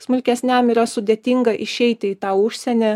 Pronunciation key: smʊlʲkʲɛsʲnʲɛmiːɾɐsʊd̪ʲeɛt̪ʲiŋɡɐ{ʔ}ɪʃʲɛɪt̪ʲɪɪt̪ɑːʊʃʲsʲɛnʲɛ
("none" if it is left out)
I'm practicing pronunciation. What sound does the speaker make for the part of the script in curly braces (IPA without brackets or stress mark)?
ʔ